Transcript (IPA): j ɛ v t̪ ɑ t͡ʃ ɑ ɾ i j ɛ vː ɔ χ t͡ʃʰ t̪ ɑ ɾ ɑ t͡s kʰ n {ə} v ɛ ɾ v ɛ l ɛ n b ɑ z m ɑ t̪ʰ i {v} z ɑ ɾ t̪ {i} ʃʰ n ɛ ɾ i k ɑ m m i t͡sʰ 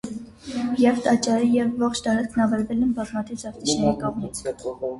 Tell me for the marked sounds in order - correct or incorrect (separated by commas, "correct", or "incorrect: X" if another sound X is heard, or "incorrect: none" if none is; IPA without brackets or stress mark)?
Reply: incorrect: ɑ, correct, correct